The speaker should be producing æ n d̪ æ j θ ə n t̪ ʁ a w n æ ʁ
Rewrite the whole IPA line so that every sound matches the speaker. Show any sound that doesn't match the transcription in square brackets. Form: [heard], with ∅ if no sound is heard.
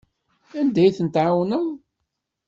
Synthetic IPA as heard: æ n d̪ æ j θ ə n t̪ [ʕ] a w n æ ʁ